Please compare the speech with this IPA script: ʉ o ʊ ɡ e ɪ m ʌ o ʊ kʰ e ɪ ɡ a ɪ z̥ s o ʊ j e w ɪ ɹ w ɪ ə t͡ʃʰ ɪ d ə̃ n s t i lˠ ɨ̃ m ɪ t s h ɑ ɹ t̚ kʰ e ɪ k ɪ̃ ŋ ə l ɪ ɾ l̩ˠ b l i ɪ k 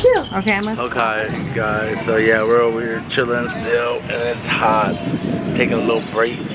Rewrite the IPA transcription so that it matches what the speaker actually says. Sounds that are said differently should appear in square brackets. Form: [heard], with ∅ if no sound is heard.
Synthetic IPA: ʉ o ʊ [k] e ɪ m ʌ o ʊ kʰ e ɪ ɡ a ɪ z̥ s o ʊ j [æ] w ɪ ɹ w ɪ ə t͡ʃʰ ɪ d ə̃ n s t [ɪ] lˠ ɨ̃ [n] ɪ t s h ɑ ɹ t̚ [tʰ] e ɪ k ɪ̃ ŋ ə l ɪ ɾ l̩ˠ b [ɹ] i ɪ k